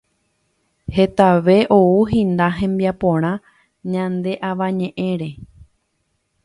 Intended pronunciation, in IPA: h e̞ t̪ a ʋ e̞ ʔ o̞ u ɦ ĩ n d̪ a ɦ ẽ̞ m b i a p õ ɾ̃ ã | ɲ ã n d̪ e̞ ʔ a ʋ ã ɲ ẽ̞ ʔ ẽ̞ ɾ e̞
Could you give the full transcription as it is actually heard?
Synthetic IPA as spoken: h e̞ t̪ a ʋ e̞ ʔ o̞ u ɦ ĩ n d̪ a ɦ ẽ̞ m b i a p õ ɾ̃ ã | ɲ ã n d̪ e̞ ʔ a ʋ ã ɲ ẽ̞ ʔ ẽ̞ ɾ e̞

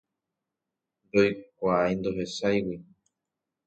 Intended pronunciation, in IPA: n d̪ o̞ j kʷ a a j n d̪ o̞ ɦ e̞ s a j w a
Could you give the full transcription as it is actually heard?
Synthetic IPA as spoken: n d̪ o̞ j kʷ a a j n d̪ o̞ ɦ e̞ s a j w i

